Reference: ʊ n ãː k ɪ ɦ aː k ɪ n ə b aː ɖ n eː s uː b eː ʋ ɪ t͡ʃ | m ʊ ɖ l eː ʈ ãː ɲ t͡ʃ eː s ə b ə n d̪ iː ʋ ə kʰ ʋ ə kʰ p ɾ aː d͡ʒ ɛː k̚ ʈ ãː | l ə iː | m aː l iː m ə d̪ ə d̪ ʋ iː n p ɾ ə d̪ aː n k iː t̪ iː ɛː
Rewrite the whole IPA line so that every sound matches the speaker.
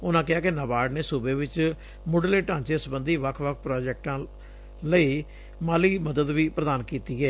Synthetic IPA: ʊ n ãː k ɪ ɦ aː k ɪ n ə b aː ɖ n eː s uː b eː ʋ ɪ t͡ʃ | m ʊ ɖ l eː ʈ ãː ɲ t͡ʃ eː s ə b ə n d̪ iː ʋ ə kʰ ʋ ə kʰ p ɾ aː d͡ʒ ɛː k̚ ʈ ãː | l ə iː | m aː l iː m ə d̪ ə d̪ ʋ iː p ɾ ə d̪ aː n k iː t̪ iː ɛː